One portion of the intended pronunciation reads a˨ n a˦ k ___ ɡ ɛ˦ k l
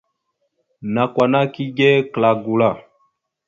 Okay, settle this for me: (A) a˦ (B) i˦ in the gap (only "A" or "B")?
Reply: B